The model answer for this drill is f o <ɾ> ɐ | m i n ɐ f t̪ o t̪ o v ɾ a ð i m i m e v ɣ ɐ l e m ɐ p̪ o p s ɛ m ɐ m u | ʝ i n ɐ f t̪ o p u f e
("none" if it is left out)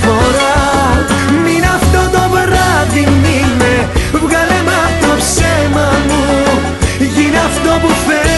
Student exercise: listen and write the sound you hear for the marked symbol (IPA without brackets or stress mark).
ɾ